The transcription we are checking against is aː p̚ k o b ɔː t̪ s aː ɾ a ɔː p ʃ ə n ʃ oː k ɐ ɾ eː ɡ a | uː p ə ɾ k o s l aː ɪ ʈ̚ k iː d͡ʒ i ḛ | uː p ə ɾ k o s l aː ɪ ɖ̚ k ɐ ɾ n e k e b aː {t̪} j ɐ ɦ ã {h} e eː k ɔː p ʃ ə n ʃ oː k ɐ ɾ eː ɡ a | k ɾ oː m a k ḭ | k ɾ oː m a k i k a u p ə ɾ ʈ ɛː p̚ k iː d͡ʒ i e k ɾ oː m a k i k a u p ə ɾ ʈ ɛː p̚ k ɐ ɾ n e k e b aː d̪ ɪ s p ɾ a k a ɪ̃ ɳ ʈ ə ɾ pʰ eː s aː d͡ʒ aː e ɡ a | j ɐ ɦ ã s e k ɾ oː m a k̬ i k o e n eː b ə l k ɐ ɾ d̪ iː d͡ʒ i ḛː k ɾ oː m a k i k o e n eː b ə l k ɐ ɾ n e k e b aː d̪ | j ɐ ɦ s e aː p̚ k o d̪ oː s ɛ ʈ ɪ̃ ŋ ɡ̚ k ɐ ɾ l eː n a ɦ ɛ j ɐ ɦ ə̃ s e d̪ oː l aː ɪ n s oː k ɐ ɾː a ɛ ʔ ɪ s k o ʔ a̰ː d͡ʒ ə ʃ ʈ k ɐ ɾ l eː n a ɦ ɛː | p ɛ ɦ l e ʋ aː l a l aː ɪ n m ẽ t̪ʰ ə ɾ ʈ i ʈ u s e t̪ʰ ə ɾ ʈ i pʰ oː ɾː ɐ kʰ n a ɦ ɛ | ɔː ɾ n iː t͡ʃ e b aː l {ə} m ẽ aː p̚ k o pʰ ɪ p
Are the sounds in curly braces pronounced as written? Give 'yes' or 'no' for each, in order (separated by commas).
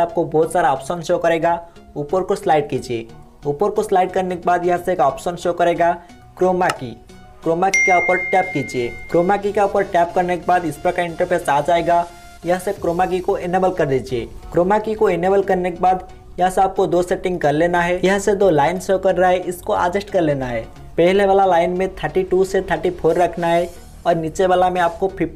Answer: no, no, no